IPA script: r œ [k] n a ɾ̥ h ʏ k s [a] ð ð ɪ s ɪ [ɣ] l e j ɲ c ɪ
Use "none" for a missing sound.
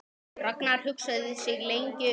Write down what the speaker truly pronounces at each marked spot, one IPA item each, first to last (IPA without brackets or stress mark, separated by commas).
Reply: k, a, ɣ